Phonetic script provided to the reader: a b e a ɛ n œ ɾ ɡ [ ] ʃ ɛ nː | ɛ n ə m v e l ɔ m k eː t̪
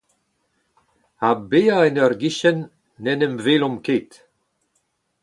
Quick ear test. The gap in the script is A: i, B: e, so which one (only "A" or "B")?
A